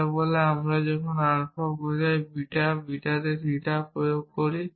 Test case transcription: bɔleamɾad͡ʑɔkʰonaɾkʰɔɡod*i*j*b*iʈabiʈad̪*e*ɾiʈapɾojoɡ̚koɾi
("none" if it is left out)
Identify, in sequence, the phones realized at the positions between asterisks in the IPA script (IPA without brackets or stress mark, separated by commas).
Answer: a, b, e